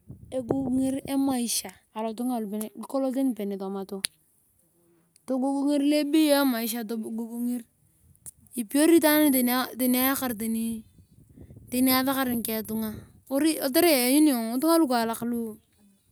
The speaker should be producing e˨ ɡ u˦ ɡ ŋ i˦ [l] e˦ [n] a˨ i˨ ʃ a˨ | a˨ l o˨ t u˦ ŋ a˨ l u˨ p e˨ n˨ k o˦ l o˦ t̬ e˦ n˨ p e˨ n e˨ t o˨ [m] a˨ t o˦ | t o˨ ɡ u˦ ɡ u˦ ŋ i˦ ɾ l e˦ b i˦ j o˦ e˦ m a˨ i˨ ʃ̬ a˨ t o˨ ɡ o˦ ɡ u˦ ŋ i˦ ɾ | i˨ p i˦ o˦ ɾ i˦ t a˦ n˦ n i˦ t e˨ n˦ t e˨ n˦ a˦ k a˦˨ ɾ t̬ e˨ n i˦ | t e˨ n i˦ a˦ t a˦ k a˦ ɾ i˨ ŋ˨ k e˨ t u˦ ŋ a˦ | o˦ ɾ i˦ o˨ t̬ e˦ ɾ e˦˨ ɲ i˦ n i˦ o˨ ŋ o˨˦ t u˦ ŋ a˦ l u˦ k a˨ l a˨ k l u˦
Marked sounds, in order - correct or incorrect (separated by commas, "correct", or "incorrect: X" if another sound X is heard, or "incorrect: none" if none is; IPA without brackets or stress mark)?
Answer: incorrect: ɾ, incorrect: m, correct